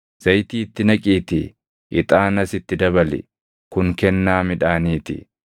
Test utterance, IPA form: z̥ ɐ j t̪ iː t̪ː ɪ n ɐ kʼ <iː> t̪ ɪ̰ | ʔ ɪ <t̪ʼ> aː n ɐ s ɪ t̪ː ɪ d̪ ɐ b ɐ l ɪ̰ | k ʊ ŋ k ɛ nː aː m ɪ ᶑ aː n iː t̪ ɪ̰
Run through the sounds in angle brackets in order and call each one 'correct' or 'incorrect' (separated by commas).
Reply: correct, correct